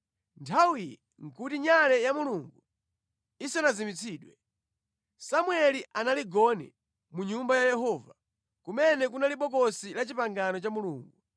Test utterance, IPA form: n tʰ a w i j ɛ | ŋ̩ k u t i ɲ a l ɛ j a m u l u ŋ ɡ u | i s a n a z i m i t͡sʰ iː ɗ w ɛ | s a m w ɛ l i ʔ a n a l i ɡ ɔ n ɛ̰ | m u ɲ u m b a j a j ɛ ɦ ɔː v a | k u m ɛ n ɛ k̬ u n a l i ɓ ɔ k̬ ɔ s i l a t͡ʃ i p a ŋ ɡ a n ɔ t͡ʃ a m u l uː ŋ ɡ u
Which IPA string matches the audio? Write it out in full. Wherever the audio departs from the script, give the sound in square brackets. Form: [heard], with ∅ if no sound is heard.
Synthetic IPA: n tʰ a w i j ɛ | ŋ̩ k u t i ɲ a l ɛ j a m u l u ŋ ɡ u | i s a n a z i m i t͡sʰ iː ɗ w ɛ | s a m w ɛ l i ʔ a n a l i ɡ ɔ n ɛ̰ | m u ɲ u m b a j a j ɛ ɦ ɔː v a | k u m ɛ n ɛ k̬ u n a l i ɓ ɔ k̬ ɔ s i l a t͡ʃ i p a ŋ ɡ a n ɔ t͡ʃ a m u l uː ŋ ɡ u